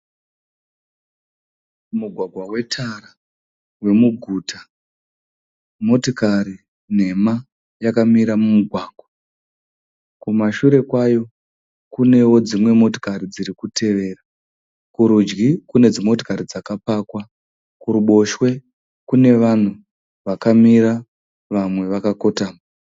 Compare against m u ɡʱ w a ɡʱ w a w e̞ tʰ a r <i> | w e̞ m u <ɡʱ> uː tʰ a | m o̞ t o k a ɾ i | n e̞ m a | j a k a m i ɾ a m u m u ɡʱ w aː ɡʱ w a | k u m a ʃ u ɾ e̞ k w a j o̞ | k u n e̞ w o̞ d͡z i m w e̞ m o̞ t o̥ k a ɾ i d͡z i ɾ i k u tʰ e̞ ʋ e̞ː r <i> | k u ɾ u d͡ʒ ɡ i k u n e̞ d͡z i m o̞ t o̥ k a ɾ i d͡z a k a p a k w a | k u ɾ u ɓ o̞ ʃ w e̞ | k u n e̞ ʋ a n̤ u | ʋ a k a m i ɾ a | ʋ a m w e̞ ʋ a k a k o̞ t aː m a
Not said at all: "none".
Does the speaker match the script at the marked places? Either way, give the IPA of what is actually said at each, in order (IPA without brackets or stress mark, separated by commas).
a, ɡʱ, a